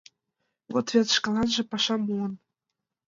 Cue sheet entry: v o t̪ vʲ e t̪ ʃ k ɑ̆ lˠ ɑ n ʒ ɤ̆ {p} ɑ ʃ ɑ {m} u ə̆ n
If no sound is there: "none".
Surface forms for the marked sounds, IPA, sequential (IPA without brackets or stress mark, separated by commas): p, m